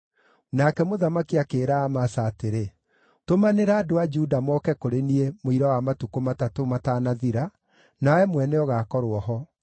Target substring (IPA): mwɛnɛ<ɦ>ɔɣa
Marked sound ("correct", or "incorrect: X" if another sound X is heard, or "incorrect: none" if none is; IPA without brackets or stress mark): incorrect: none